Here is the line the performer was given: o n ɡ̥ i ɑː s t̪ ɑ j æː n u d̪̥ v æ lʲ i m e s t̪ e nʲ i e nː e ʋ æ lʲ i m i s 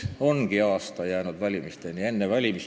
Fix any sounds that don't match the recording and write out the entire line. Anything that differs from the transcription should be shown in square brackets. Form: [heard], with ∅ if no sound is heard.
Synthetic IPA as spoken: o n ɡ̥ i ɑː s t̪ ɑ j æː n u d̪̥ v æ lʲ i m [i] s t̪ e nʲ i e nː e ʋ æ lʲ i m i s